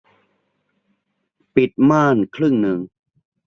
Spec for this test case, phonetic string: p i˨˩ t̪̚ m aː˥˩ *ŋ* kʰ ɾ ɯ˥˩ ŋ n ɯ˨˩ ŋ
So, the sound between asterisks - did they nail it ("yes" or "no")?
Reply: no